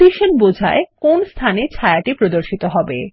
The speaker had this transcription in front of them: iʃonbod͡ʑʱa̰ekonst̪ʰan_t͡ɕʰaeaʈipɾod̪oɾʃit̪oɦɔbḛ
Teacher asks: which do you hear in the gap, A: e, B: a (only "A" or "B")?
A